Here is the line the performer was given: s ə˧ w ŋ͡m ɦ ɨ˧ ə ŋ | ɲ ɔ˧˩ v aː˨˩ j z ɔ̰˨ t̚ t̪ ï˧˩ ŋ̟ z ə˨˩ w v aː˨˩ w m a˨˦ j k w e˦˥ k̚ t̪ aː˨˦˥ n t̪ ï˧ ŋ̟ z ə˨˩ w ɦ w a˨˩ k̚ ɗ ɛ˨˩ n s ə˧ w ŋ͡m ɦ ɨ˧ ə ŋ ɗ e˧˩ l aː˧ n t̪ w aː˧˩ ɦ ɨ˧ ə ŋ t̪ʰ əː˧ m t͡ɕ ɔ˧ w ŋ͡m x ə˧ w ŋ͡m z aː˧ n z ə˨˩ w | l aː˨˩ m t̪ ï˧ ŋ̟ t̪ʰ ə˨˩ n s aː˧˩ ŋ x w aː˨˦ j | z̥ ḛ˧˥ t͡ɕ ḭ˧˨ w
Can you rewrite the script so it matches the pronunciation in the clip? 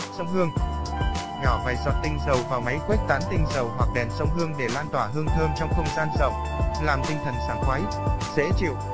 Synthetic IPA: s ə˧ w ŋ͡m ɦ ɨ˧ ə ŋ | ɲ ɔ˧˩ v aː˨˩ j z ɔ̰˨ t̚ t̪ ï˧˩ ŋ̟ z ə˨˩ w v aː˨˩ w m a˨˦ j k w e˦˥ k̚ t̪ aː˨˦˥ n t̪ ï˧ ŋ̟ z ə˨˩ w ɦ w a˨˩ k̚ ɗ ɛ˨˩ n s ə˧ w ŋ͡m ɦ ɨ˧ ə ŋ ɗ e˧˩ l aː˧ n t̪ w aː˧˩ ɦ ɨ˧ ə ŋ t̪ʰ əː˧ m t͡ɕ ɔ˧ w ŋ͡m x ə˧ w ŋ͡m z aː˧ n z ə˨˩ w | l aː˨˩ m t̪ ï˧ ŋ̟ t̪ʰ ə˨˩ n s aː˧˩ ŋ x w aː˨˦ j | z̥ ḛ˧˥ t͡ɕ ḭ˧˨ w